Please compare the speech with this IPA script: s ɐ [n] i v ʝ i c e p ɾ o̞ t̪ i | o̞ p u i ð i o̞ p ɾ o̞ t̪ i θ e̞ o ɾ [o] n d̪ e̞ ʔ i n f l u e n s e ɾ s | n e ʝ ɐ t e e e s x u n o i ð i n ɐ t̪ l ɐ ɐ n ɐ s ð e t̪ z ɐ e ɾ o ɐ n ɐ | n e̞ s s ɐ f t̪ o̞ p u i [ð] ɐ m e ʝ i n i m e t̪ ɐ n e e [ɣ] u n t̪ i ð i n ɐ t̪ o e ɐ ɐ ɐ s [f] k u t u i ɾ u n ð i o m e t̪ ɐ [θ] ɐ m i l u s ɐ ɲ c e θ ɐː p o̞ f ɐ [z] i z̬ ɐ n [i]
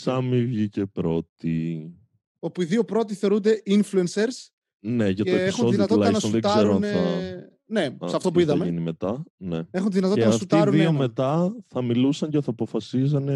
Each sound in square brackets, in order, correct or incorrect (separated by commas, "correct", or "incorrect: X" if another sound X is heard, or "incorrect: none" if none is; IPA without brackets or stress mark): incorrect: m, incorrect: u, correct, incorrect: x, correct, correct, incorrect: s, incorrect: e